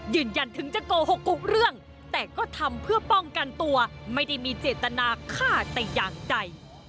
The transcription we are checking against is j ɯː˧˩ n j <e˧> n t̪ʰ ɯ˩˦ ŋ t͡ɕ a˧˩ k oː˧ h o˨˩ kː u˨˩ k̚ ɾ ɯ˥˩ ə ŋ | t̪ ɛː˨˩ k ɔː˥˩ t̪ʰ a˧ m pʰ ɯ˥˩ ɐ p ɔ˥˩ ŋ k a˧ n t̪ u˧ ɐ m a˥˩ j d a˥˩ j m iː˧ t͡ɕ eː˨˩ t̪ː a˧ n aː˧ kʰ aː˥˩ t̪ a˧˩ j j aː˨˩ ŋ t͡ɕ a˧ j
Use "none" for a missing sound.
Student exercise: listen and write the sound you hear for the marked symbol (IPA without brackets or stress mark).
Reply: a˧